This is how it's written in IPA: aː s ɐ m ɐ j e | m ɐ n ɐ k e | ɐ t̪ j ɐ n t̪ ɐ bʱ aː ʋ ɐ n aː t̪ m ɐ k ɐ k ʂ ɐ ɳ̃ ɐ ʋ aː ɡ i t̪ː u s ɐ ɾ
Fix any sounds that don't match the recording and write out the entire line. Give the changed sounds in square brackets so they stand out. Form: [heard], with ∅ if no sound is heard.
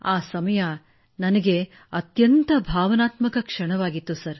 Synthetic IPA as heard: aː s ɐ m ɐ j [a] | [n] ɐ n ɐ [ɡ] e | ɐ t̪ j ɐ n t̪ ɐ bʱ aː ʋ ɐ n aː t̪ m ɐ k ɐ k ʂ ɐ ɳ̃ ɐ ʋ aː ɡ i t̪ː u s ɐ ɾ